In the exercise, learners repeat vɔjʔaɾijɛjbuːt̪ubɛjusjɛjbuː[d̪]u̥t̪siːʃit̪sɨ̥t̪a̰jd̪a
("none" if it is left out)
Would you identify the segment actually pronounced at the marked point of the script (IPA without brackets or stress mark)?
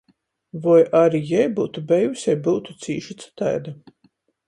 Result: t̪